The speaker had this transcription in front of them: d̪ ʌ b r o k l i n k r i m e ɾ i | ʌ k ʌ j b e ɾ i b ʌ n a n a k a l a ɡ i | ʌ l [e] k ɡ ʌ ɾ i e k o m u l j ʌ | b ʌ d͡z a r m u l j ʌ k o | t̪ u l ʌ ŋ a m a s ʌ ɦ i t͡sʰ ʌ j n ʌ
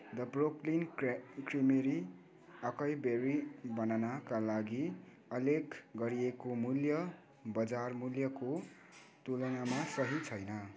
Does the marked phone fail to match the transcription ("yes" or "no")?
no